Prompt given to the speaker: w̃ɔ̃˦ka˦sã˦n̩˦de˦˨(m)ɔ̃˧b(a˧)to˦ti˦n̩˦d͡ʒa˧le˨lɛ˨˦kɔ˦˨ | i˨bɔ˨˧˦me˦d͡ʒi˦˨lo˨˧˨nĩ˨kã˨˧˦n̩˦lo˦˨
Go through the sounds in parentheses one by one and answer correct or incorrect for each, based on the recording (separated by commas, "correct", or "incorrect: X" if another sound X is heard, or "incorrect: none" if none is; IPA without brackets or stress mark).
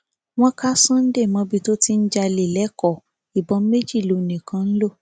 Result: correct, incorrect: i˧